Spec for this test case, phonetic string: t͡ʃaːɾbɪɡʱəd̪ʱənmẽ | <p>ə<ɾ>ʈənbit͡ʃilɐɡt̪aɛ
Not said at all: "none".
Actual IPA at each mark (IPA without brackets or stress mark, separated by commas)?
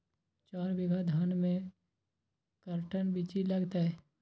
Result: k, ɾ